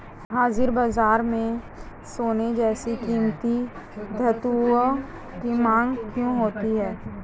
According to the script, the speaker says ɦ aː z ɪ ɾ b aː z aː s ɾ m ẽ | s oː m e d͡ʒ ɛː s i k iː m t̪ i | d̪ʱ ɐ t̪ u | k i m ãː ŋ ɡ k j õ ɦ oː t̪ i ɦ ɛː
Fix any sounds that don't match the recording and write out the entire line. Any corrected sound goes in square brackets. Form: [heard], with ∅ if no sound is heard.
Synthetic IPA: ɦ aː z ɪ ɾ b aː z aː [∅] ɾ m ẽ | s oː [n] e d͡ʒ ɛː s i k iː m t̪ i | d̪ʱ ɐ t̪ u | k i m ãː ŋ ɡ k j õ ɦ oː t̪ i ɦ ɛː

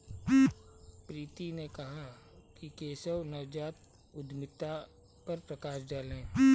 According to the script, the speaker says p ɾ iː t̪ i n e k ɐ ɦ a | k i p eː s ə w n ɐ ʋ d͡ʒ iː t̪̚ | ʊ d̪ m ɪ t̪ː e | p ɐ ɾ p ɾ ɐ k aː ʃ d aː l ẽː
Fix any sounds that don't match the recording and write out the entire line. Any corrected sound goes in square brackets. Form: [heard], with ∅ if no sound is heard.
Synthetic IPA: p ɾ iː t̪ i n e k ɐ ɦ a | k i [k] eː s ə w n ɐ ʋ d͡ʒ [aː] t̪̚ | ʊ d̪ m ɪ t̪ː [a] | p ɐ ɾ p ɾ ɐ k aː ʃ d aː l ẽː

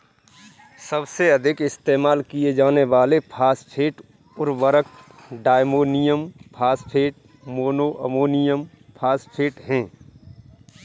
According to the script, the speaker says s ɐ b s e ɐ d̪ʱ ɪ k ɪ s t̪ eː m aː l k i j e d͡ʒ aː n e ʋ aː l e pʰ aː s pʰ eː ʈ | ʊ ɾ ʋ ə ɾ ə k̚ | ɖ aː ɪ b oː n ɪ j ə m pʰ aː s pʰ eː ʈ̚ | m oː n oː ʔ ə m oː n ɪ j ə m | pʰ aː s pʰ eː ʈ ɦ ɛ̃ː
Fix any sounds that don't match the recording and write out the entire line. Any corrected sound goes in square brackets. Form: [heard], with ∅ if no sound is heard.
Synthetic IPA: s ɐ b s e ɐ d̪ʱ ɪ k ɪ s t̪ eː m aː l k i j e d͡ʒ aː n e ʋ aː l e pʰ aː s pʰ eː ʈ | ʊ ɾ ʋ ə ɾ ə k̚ | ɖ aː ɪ [m] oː n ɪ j ə m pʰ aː s pʰ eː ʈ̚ | m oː n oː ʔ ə m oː n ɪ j ə m | pʰ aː s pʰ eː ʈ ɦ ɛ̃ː

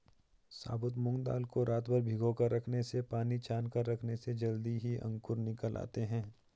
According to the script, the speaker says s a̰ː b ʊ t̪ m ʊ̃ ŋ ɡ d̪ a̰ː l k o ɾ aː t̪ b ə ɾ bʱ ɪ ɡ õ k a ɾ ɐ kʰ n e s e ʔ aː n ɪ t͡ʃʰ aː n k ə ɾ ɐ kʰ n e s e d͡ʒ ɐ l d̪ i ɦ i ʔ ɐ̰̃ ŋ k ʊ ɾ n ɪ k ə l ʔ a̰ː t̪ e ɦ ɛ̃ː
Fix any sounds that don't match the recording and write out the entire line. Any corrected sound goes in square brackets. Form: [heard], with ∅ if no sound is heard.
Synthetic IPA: s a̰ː b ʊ t̪ m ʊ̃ ŋ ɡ d̪ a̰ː l k o ɾ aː t̪ b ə ɾ bʱ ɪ ɡ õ k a ɾ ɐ kʰ n e s e [p] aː n [i] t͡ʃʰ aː n k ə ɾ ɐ kʰ n e s e d͡ʒ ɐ l d̪ i ɦ i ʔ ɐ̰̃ ŋ k ʊ ɾ n ɪ k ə l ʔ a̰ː t̪ e ɦ ɛ̃ː

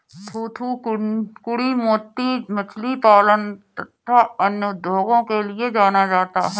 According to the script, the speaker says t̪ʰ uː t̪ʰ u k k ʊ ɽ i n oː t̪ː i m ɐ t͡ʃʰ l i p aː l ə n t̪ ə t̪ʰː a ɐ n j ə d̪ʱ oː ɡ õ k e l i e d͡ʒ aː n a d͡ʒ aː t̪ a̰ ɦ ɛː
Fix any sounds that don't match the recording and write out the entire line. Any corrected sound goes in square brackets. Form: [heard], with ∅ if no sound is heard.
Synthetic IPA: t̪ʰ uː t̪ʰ u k k ʊ ɽ i [m] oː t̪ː i m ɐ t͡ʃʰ l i p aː l ə n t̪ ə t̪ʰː a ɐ n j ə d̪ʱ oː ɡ õ k e l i e d͡ʒ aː n a d͡ʒ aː t̪ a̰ ɦ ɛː

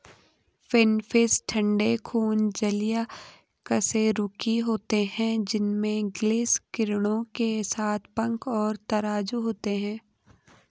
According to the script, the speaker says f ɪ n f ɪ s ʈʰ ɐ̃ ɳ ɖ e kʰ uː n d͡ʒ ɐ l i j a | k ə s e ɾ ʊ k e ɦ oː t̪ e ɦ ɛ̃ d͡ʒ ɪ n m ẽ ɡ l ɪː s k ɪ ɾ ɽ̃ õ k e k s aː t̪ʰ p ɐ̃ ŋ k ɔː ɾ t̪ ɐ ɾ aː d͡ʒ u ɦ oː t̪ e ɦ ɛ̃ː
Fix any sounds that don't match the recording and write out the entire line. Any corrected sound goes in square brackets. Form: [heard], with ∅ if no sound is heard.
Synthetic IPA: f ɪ n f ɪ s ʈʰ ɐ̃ ɳ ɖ e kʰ uː n d͡ʒ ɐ l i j a | k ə s e ɾ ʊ k [i] ɦ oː t̪ e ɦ ɛ̃ d͡ʒ ɪ n m ẽ ɡ l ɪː s k ɪ ɾ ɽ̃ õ k e [∅] s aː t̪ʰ p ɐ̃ ŋ k ɔː ɾ t̪ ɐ ɾ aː d͡ʒ u ɦ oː t̪ e ɦ ɛ̃ː

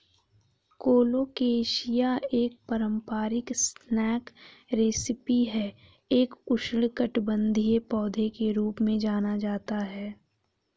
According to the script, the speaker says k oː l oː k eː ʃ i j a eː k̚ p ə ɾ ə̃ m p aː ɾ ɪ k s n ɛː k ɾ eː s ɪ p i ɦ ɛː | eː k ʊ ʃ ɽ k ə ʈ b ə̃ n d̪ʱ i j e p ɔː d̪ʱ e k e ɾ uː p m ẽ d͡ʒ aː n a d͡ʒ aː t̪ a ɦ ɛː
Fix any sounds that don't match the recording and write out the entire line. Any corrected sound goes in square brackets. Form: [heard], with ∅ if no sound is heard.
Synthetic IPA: k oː l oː k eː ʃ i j a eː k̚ p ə ɾ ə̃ m p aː ɾ ɪ k s n ɛː k ɾ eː s ɪ p i ɦ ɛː | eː k ʊ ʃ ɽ k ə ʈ b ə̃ n d̪ʱ i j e p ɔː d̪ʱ e k e ɾ uː p m ẽ d͡ʒ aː n a d͡ʒ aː t̪ a ɦ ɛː

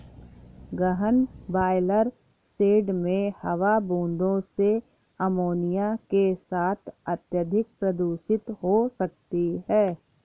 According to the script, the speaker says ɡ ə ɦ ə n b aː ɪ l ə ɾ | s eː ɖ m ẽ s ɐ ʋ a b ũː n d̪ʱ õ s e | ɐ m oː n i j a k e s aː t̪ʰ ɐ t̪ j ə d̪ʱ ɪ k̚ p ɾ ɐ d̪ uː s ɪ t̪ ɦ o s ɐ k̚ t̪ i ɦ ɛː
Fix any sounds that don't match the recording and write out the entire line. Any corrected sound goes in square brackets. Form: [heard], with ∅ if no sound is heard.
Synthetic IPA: ɡ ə ɦ ə n b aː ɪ l ə ɾ | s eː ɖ m ẽ [h] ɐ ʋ a b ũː n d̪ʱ õ s e | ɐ m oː n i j a k e s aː t̪ʰ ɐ t̪ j ə d̪ʱ ɪ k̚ p ɾ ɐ d̪ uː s ɪ t̪ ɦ o s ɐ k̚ t̪ i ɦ ɛː

